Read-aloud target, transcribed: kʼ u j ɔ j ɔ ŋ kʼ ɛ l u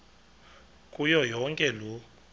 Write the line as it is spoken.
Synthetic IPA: kʼ u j ɔ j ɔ ŋ kʼ ɛ l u